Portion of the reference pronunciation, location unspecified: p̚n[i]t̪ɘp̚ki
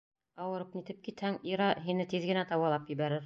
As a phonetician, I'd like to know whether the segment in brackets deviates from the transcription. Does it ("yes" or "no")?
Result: no